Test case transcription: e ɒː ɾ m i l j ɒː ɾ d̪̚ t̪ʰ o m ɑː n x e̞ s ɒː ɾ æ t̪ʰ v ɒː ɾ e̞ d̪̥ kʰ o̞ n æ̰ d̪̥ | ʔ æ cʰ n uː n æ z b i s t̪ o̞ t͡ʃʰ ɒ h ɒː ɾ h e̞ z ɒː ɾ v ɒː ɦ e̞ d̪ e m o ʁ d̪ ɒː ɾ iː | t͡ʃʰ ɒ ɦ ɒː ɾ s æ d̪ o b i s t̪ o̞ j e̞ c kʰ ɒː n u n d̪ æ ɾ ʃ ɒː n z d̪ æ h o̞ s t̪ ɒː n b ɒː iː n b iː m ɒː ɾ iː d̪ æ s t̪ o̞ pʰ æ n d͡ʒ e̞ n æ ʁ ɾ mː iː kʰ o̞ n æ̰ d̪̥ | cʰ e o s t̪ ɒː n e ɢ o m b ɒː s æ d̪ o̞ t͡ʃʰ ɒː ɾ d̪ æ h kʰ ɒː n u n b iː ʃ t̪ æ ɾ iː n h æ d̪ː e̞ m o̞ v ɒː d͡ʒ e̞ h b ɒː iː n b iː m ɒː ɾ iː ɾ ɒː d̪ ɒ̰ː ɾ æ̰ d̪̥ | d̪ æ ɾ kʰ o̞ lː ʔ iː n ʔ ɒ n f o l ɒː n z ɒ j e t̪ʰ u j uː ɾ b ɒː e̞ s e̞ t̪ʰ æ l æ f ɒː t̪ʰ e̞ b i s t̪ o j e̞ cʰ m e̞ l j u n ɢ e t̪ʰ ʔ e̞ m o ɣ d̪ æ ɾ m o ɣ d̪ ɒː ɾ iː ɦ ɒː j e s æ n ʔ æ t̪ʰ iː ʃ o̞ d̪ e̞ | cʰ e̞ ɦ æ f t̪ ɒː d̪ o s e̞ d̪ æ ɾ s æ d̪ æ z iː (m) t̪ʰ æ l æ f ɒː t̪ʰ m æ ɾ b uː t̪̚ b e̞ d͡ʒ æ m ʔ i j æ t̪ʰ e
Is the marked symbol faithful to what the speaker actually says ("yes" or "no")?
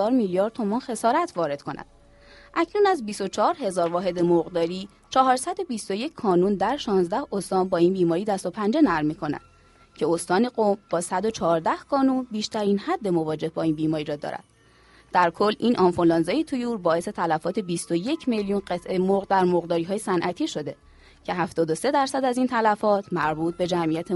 no